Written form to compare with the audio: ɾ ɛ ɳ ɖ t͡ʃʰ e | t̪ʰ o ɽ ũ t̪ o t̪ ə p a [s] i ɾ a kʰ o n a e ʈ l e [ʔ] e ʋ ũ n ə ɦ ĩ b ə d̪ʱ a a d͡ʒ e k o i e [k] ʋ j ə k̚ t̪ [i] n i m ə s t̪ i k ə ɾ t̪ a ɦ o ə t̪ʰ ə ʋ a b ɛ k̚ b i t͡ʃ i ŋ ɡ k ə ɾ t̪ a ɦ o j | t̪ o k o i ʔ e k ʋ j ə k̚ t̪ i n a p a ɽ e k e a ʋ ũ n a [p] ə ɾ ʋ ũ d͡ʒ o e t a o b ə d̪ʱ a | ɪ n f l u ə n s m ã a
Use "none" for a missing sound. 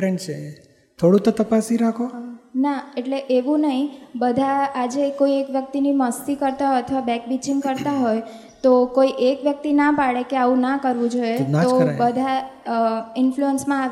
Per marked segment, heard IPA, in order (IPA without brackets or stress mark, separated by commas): s, ʔ, k, i, k